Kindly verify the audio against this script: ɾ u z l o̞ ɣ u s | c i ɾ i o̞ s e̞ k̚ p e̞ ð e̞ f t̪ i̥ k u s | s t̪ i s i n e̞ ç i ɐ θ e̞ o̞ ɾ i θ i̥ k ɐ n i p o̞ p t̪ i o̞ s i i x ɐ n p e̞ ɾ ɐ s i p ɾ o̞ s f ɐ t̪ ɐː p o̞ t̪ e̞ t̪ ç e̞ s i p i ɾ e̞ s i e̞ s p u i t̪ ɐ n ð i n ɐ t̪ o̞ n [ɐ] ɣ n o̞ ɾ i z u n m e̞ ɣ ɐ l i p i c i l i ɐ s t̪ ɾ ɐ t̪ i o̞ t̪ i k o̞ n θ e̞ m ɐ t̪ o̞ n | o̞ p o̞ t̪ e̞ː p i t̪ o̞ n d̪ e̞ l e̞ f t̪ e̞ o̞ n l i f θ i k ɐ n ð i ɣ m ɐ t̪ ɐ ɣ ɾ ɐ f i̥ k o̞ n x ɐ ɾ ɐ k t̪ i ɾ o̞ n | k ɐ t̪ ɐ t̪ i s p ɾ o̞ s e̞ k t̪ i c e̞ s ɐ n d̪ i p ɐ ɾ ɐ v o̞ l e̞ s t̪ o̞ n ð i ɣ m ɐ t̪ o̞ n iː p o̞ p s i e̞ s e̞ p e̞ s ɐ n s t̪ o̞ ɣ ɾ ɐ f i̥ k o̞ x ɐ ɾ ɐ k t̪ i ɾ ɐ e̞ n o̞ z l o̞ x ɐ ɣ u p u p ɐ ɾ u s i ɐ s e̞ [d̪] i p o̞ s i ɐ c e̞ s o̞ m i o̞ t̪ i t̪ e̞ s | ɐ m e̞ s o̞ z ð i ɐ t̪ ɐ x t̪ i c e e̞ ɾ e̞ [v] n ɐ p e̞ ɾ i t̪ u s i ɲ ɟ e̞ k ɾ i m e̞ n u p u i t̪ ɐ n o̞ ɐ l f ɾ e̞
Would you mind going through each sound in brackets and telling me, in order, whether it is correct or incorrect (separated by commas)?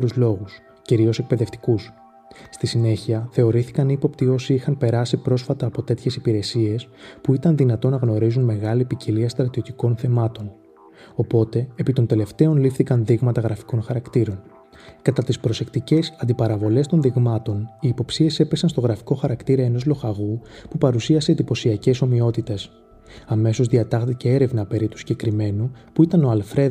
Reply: correct, correct, correct